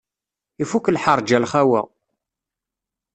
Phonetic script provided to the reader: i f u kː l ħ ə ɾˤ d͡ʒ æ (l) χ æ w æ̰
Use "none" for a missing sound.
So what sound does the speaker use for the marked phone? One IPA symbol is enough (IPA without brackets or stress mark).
l